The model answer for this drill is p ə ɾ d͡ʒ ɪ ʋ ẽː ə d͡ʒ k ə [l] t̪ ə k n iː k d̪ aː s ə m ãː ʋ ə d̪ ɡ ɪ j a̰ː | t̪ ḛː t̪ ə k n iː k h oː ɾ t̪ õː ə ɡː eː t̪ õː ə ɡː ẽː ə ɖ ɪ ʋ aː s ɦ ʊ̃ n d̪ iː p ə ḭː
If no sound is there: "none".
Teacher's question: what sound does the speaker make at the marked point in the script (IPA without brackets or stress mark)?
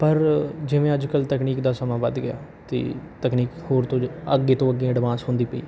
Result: l